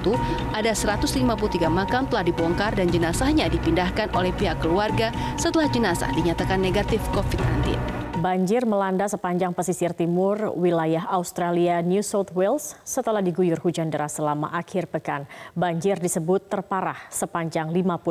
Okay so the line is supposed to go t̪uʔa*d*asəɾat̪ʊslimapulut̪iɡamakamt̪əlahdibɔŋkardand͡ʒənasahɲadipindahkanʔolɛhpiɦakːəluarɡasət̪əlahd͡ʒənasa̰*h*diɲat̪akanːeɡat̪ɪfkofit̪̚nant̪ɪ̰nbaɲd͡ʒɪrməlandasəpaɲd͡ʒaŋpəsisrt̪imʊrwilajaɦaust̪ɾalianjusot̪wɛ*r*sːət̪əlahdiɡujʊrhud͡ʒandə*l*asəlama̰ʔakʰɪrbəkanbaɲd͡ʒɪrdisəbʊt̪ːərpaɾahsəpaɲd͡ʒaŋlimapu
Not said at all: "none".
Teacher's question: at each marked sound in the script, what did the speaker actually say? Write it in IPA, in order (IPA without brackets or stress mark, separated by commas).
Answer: d, h, l, ɾ